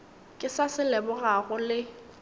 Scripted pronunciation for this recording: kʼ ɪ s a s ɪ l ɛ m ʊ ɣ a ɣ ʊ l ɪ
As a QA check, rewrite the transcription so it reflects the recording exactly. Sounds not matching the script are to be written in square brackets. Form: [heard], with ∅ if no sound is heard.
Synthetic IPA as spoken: kʼ ɪ s a s ɪ l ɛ [b] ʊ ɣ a ɣ ʊ l ɪ

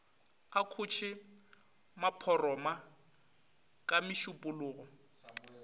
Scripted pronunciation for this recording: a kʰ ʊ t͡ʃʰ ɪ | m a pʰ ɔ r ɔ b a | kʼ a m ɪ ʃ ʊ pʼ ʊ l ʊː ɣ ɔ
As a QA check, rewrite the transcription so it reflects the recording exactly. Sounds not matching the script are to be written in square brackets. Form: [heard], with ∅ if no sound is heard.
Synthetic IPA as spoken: a kʰ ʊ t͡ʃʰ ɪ | m a pʰ ɔ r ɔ [m] a | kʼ a m ɪ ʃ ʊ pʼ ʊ l ʊː ɣ ɔ

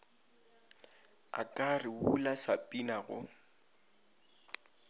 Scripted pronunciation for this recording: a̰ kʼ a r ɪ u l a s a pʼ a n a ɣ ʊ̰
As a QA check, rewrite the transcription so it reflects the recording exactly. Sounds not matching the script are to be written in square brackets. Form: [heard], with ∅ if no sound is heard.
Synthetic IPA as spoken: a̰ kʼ a r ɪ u l a s a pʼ [i] n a ɣ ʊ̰

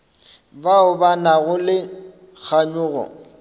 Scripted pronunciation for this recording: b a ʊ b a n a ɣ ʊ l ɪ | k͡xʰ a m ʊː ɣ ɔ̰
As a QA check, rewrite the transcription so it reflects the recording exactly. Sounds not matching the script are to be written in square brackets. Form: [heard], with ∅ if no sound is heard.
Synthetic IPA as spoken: b a ʊ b a n a ɣ ʊ l ɪ | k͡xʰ a [ɲ] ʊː ɣ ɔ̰

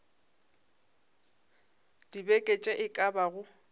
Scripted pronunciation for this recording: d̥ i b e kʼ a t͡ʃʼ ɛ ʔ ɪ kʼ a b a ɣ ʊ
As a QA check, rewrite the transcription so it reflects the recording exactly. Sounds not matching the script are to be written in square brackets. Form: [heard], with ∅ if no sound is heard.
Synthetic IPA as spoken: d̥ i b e kʼ [e] t͡ʃʼ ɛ ʔ ɪ kʼ a b a ɣ ʊ

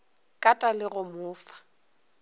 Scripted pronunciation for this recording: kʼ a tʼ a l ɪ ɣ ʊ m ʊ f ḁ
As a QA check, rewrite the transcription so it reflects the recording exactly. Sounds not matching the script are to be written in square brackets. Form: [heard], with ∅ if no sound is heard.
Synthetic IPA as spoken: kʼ a tʼ a l ɪ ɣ ʊ m [ʊː] f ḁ

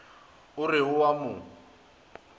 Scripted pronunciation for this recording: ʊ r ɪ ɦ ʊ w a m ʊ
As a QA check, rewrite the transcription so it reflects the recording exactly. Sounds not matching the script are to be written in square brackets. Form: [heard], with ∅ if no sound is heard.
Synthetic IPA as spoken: ʊ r ɪ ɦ ʊ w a m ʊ

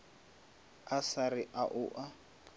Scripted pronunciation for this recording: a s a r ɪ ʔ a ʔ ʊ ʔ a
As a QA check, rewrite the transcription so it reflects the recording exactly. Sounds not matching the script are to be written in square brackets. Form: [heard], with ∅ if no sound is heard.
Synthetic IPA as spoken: a s a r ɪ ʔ a ʔ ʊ ʔ a

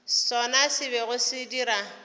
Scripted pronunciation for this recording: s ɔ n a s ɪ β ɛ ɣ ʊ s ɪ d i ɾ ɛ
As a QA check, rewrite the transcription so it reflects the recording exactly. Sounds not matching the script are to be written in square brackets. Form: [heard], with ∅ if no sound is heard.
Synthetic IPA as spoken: s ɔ n a s ɪ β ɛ ɣ ʊ s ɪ d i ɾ [a]

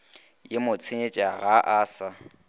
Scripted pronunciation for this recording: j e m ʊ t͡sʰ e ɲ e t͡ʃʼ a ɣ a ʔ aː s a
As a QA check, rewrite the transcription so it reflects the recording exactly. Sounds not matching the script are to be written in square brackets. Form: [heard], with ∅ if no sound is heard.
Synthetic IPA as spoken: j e m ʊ t͡sʰ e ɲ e t͡ʃʼ a ɣ a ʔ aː s a

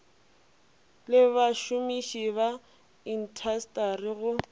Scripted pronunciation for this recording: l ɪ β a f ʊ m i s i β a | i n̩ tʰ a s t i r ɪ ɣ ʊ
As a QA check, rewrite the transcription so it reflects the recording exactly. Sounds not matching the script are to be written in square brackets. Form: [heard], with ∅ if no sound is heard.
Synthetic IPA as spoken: l ɪ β a [ʃ] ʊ m i [ʃ] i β a | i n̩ tʰ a s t [a] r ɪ ɣ ʊ

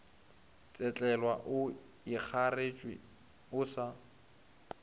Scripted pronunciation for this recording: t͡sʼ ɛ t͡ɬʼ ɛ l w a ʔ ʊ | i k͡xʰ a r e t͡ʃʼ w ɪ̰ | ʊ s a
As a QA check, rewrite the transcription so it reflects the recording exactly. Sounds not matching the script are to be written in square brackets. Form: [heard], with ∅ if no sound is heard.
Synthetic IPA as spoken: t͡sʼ ɛ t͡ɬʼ ɛ l w a ʔ ʊ | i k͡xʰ a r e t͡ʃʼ w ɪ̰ | ʊ s a

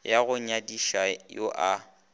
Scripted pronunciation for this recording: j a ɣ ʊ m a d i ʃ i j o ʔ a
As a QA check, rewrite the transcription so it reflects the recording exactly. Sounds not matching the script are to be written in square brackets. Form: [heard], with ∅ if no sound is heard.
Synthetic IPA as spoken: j a ɣ ʊ [ɲ] a d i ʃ [a] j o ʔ a

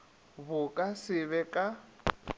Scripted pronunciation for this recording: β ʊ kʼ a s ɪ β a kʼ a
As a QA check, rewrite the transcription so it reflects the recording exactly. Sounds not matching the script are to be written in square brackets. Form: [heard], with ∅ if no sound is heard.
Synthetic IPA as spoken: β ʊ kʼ a s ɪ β [ɛ] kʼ a

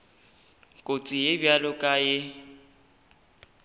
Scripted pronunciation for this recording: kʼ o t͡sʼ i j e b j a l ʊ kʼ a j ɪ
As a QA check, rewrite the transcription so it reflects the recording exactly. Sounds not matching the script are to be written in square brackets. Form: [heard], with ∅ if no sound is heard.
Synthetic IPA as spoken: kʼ o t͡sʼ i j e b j a l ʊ kʼ a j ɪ

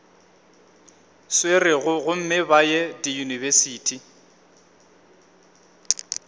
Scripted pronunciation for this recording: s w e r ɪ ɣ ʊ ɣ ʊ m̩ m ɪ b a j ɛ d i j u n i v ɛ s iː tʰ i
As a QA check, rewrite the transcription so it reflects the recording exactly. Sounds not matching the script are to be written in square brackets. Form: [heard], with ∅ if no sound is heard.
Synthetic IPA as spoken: s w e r ɪ ɣ ʊ ɣ ʊ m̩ m ɪ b a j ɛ d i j u n i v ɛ s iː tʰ i

